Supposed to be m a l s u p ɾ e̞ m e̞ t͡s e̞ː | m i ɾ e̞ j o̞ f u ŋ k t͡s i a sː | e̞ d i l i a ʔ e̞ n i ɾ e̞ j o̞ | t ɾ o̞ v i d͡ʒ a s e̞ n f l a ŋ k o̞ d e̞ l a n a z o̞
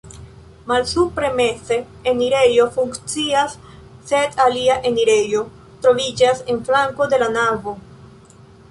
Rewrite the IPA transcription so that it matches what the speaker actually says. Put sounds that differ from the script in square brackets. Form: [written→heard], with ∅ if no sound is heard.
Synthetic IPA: m a l s u p ɾ e̞ m e̞ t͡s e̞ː | [m→n] i ɾ e̞ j o̞ f u ŋ k t͡s i a sː | e̞ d [i→a] l i a ʔ e̞ n i ɾ e̞ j o̞ | t ɾ o̞ v i d͡ʒ a s e̞ n f l a ŋ k o̞ d e̞ l a n a [z→v] o̞